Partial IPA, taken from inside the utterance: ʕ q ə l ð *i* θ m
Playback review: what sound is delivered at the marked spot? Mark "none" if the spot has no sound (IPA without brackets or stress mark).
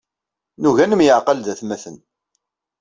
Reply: æ